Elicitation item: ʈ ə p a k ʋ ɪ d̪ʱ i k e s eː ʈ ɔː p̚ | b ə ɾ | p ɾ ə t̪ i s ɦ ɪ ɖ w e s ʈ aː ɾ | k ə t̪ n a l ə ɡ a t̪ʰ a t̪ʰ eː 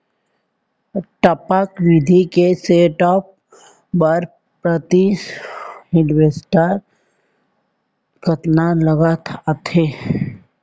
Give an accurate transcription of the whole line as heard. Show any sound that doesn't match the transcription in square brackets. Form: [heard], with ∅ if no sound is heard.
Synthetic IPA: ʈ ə p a k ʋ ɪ d̪ʱ i k e s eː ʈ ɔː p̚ | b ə ɾ | p ɾ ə t̪ i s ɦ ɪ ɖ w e s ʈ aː ɾ | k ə t̪ n a l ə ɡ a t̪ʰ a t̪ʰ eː